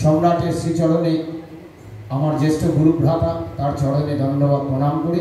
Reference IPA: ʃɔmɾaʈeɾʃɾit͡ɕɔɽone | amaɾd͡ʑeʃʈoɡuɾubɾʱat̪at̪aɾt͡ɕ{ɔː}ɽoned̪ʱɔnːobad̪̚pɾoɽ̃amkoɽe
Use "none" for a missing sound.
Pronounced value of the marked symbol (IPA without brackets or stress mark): ɔ